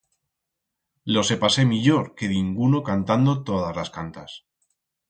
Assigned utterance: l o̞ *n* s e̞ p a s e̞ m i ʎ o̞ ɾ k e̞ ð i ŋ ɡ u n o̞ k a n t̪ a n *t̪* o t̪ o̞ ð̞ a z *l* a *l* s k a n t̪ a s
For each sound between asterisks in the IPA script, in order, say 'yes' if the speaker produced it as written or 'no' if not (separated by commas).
no, no, yes, no